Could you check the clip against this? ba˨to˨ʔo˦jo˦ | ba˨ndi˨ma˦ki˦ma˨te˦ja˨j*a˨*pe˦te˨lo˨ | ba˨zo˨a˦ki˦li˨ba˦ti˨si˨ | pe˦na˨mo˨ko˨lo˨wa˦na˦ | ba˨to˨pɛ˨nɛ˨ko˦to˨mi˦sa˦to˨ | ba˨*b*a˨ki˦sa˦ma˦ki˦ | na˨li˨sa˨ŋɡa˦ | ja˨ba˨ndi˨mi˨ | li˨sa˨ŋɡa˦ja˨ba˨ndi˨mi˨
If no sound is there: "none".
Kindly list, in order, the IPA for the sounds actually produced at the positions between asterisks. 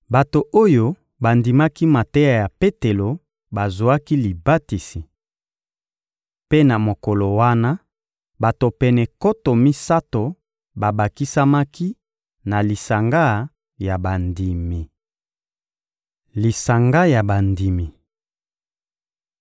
a˨, b

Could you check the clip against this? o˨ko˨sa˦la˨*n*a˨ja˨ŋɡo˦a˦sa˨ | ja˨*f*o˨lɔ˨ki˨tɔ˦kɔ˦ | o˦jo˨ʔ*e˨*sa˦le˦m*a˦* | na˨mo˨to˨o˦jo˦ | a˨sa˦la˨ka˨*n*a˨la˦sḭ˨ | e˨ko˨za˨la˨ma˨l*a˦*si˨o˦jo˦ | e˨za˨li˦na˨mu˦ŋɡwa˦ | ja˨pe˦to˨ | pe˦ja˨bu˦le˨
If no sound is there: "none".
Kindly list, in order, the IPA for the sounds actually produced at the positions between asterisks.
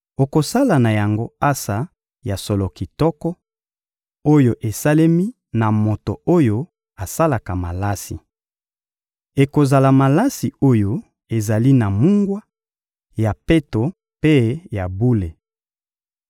n, s, e˨, i˦, m, a˦

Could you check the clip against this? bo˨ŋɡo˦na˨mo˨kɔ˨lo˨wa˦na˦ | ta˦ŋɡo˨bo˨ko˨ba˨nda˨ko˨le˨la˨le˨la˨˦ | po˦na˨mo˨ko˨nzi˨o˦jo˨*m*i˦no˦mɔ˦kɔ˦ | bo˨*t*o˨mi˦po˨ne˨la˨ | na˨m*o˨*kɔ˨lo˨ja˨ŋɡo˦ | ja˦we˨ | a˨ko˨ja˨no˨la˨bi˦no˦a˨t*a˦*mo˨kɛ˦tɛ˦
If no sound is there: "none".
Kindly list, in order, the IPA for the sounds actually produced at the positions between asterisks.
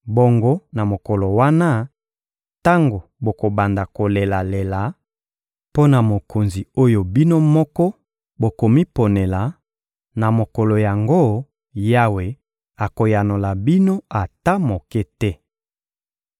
b, k, o˨, a˦

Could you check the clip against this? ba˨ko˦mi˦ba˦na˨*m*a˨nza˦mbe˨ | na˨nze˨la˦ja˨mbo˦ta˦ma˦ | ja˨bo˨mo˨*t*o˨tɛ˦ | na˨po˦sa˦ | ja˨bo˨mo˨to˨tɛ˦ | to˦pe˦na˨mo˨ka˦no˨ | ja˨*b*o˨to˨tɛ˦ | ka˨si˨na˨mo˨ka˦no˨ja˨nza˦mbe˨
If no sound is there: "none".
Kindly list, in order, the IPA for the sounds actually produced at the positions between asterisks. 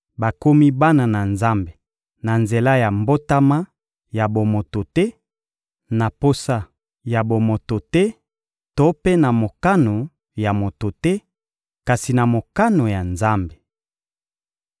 n, t, m

